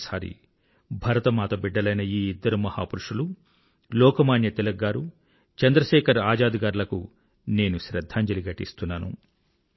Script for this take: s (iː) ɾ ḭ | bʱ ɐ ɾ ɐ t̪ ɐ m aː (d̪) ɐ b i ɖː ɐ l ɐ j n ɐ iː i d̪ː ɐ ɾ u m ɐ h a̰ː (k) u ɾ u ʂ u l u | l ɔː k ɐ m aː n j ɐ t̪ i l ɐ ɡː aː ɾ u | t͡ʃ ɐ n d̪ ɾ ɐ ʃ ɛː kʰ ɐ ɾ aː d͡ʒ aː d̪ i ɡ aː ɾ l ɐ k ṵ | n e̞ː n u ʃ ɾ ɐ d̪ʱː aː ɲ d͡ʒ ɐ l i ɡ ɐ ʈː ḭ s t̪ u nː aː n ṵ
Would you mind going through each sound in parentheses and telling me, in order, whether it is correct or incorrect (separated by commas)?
incorrect, incorrect, incorrect